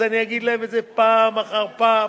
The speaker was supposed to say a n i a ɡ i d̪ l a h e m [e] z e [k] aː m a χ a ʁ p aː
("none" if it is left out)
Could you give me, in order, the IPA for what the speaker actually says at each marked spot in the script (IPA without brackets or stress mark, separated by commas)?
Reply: e, p